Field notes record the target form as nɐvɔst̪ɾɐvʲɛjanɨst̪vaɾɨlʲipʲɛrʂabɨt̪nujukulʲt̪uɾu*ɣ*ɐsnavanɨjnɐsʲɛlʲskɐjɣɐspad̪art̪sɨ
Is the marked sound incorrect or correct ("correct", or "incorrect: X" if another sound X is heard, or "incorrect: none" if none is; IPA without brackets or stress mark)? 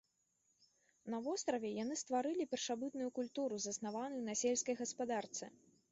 incorrect: z